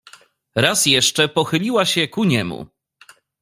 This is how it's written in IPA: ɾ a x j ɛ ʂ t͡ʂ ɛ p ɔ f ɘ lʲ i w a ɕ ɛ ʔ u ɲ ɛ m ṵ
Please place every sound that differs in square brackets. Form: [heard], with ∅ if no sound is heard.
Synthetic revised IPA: ɾ a [s] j ɛ ʂ t͡ʂ ɛ p ɔ [x] ɘ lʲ i w a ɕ ɛ [k] u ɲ ɛ m ṵ